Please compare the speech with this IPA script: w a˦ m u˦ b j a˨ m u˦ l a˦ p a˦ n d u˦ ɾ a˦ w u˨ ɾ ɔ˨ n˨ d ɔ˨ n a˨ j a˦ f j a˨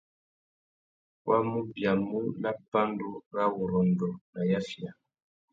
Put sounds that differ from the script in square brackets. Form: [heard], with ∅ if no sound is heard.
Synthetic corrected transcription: w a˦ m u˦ b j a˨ m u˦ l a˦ p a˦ n d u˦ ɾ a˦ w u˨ ɾ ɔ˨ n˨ d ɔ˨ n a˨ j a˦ f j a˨